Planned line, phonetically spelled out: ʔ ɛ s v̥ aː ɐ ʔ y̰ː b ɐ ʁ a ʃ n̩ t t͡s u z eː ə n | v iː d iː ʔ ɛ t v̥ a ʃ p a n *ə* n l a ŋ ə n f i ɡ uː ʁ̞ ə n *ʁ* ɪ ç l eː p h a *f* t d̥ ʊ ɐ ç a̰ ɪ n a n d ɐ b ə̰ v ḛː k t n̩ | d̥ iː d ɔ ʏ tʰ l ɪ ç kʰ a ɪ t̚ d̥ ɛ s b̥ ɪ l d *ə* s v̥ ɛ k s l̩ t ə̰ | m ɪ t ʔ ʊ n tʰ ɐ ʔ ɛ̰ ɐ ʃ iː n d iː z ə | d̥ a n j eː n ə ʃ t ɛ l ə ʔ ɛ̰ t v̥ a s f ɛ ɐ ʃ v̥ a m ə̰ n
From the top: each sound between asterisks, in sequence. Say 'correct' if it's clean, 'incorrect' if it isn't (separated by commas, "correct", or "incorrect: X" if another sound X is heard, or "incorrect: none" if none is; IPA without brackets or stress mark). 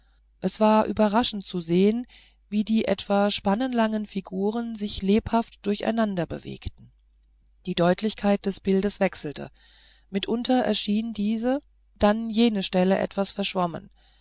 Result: correct, incorrect: z, correct, correct